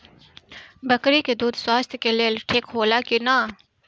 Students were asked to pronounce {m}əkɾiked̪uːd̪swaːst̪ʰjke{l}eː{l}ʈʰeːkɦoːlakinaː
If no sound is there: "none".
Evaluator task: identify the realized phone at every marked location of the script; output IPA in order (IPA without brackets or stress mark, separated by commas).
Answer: b, l, l